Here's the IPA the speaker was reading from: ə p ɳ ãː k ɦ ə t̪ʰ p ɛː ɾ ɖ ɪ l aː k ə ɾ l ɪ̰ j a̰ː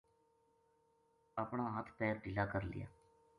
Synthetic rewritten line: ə p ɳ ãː ɦ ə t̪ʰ p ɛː ɾ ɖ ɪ l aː k ə ɾ l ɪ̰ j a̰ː